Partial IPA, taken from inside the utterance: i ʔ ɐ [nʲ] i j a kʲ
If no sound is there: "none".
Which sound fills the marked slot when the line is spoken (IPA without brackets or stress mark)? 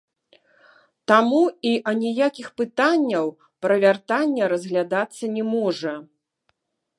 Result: nʲ